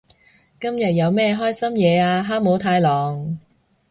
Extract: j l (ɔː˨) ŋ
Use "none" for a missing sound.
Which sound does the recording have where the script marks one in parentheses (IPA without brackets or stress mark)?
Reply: ɔː˨